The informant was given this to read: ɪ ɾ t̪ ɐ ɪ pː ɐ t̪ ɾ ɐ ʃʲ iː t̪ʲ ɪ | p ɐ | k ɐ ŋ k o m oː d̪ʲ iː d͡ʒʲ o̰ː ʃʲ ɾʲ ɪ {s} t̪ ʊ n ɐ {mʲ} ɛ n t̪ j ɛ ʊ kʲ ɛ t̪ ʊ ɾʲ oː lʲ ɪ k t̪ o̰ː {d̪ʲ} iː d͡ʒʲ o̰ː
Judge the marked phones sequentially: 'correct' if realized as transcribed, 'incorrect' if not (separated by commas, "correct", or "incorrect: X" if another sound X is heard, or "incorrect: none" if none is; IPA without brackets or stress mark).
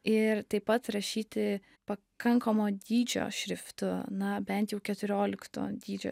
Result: incorrect: f, incorrect: bʲ, correct